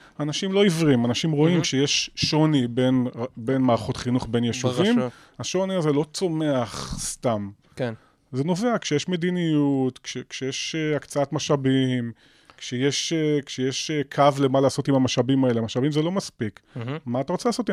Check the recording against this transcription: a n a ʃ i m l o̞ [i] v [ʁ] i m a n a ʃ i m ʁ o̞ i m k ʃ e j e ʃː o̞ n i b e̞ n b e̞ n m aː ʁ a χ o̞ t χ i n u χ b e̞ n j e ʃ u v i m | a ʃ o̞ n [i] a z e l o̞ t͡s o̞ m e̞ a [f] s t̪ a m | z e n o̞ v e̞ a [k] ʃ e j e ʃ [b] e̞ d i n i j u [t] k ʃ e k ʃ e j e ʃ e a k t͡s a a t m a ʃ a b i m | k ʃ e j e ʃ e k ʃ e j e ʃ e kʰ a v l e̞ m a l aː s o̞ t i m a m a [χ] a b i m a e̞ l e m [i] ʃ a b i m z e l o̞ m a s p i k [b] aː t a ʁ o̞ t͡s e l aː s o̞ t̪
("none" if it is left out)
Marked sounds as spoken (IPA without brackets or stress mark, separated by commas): i, ʁ, i, χ, k, m, t, ʃ, a, m